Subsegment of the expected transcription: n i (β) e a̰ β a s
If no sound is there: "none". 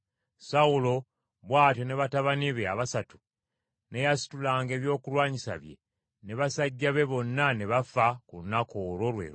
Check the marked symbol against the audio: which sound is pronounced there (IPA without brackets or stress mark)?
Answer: β